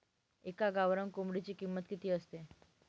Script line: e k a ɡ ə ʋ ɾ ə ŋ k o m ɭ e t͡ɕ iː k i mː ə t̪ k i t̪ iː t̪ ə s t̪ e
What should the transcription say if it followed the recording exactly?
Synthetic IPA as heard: e k a ɡ a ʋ ɾ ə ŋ k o m ɽ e t͡ɕ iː k i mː ə t̪ k i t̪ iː ə s t̪ e